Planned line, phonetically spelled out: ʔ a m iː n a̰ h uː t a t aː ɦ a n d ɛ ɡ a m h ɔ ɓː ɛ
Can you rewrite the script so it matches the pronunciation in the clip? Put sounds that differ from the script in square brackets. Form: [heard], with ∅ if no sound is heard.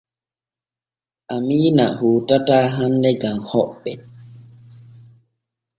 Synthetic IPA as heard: ʔ a m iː n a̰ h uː t a t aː ɦ a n d ɛ ɡ a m h ɔ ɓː ɛ